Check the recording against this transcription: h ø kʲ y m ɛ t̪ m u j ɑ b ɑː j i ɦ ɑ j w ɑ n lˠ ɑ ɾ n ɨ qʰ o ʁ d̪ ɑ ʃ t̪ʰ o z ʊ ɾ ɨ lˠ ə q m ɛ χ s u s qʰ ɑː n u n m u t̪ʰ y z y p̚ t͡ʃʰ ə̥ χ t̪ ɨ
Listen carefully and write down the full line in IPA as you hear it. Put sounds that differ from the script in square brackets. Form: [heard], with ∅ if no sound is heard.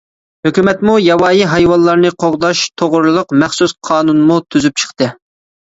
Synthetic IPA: h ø kʲ y m ɛ t̪ m u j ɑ [w] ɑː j i ɦ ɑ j w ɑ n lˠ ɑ ɾ n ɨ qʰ o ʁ d̪ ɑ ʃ t̪ʰ o [ʁ] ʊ ɾ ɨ lˠ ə q m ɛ χ s u s qʰ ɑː n u n m u t̪ʰ y z y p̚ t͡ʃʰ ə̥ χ t̪ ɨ